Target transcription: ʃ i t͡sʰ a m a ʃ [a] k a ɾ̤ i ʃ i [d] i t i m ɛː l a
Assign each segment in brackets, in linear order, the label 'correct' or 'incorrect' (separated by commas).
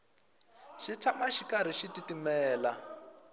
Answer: incorrect, incorrect